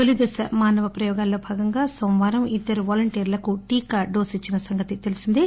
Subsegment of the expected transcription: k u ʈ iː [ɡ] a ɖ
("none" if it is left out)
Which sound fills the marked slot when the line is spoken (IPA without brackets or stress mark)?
k